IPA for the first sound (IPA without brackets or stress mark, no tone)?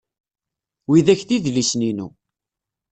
w